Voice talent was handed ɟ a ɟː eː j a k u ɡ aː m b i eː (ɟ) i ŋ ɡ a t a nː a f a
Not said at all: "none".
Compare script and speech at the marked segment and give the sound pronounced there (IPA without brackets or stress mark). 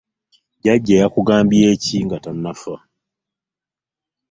c